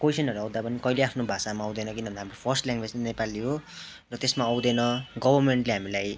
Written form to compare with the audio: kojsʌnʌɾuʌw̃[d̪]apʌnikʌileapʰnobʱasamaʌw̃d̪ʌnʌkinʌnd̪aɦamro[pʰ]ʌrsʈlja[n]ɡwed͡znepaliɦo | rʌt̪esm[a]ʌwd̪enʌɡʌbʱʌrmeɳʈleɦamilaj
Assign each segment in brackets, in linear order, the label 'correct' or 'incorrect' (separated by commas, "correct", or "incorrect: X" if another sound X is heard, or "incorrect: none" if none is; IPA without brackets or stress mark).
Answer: correct, correct, incorrect: ŋ, correct